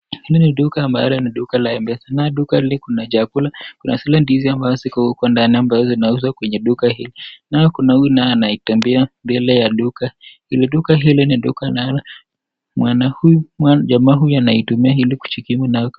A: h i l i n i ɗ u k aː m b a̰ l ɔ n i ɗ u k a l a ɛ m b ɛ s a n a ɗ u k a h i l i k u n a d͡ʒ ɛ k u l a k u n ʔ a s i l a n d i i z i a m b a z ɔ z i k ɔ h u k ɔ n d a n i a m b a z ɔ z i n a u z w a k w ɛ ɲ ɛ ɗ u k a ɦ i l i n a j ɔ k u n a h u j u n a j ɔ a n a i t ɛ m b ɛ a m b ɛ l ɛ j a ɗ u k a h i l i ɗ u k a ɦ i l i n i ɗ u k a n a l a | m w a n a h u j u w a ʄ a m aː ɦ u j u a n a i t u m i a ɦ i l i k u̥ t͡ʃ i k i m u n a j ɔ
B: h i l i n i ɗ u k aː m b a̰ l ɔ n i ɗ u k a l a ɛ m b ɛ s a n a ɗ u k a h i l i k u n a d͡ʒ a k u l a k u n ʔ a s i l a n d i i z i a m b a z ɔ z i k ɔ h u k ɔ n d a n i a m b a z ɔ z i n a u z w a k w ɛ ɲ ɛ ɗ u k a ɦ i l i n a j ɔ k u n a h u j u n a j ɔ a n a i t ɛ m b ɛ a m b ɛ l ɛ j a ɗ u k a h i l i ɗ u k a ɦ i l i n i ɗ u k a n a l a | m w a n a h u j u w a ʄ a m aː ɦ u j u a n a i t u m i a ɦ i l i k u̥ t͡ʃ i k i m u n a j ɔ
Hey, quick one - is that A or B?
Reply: B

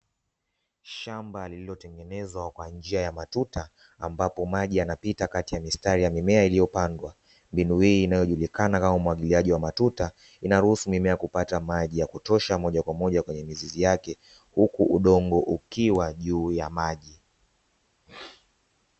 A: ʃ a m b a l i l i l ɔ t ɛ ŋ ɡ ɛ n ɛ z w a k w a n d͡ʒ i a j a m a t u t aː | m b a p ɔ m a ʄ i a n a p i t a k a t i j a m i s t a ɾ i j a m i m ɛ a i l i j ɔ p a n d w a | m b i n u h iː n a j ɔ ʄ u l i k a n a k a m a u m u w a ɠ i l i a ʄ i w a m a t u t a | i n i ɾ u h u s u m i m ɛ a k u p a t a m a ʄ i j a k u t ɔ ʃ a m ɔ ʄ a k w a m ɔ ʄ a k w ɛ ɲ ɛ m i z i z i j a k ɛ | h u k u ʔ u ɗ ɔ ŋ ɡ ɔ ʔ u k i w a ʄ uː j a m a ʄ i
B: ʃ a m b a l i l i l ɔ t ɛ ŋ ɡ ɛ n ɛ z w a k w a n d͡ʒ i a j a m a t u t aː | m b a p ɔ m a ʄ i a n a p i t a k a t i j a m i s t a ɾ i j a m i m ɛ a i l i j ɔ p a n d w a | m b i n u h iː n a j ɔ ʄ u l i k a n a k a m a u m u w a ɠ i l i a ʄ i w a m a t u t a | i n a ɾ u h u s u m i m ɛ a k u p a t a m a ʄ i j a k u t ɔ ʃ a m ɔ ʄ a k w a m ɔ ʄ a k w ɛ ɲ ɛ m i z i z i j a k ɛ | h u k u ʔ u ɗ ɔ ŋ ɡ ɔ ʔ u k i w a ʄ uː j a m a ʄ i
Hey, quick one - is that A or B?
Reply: B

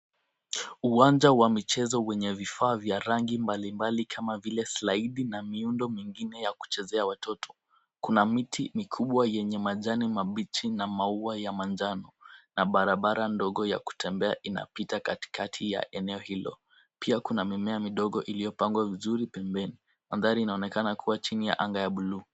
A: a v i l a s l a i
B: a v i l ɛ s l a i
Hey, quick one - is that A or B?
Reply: B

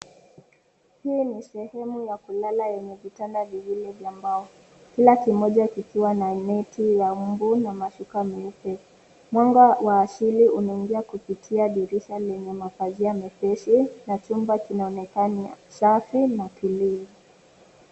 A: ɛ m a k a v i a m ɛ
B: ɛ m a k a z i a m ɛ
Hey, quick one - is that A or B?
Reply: B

